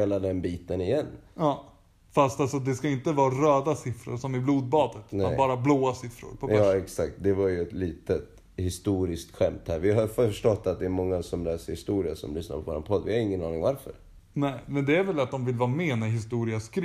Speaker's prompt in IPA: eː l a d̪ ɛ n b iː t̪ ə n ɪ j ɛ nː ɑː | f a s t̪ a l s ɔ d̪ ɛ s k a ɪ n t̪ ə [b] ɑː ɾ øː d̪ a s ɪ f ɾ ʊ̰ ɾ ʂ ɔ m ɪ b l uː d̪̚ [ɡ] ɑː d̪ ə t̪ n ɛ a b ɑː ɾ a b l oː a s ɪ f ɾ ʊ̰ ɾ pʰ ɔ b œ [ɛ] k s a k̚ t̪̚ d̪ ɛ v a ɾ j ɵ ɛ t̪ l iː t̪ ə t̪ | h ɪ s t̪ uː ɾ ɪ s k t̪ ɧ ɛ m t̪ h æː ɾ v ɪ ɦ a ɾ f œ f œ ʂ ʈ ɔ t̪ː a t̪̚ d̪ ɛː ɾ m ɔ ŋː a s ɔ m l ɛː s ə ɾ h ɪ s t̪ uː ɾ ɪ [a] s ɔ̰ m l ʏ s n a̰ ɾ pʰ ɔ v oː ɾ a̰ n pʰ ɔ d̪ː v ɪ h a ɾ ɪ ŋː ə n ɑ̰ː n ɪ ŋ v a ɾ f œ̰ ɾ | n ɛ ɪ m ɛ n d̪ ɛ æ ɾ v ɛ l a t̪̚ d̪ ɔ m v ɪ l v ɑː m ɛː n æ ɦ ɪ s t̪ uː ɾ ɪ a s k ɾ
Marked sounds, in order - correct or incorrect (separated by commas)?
incorrect, incorrect, correct, correct